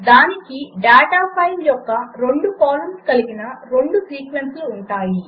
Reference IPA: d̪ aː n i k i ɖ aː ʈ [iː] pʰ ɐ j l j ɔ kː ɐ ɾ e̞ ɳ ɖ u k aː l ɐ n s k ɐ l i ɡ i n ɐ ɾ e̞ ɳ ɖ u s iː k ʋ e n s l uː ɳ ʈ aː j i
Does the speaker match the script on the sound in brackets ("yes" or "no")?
no